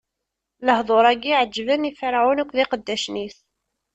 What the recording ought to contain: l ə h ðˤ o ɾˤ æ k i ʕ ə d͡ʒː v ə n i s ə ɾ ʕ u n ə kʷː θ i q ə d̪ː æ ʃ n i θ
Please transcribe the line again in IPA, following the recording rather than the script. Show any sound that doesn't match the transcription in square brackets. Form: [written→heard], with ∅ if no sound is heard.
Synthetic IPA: l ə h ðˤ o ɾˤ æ [k→ɡ] i ʕ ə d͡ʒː v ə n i [s→f] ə ɾ ʕ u n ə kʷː [θ→ð] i q ə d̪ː æ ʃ n i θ

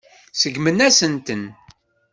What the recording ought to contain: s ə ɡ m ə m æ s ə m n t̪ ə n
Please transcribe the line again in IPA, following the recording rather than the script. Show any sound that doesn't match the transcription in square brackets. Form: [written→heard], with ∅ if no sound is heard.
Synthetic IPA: s ə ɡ m ə [m→n] æ s ə [m→∅] n t̪ ə n

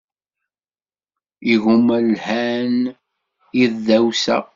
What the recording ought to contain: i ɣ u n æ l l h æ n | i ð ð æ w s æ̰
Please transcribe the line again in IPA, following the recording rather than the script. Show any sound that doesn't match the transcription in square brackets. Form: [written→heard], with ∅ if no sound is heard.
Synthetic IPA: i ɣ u [n→m] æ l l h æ n | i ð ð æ w s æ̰

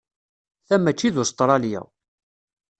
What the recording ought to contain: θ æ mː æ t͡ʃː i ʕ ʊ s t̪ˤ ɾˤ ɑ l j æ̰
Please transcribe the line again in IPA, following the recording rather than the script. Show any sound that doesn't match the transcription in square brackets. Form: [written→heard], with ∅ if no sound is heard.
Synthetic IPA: θ æ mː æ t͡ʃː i [ʕ→ð] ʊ s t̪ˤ ɾˤ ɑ l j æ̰

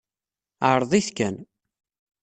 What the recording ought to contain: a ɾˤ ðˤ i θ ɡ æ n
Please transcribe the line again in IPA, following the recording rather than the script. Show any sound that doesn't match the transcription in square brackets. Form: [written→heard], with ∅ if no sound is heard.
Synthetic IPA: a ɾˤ ðˤ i θ [ɡ→k] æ n

